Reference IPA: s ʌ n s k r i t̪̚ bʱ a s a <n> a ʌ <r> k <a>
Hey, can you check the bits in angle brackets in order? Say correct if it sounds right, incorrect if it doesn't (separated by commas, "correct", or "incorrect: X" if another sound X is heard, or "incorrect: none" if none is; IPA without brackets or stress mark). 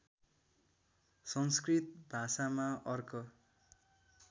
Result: incorrect: m, correct, incorrect: ʌ